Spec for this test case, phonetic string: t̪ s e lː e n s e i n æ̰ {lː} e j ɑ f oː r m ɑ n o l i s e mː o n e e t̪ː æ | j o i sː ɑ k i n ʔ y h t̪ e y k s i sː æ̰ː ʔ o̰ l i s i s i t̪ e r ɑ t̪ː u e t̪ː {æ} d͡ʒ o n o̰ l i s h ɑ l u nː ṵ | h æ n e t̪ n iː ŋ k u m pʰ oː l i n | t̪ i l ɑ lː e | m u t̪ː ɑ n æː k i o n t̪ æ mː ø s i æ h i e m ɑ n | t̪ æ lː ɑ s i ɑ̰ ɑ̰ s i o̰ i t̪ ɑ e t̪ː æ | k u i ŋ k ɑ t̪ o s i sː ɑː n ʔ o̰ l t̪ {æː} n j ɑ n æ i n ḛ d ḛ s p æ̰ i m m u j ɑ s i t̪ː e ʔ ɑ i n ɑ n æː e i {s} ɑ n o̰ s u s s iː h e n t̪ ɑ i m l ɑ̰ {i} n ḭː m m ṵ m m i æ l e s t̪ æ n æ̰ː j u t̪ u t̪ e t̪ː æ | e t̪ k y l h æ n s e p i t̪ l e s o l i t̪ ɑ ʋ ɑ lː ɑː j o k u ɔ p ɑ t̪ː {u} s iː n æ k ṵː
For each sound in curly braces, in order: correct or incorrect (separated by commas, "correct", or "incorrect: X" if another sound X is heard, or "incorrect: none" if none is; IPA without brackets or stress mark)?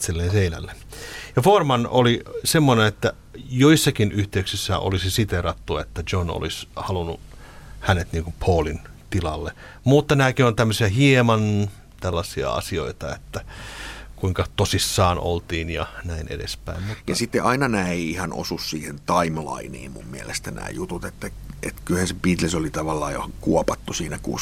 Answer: correct, correct, incorrect: iː, incorrect: h, correct, correct